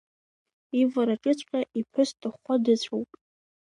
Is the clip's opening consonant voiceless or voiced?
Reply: voiced